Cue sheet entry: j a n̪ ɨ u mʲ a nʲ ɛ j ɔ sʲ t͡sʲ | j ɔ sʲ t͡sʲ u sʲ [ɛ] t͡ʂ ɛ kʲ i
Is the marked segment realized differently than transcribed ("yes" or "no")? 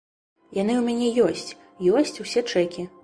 no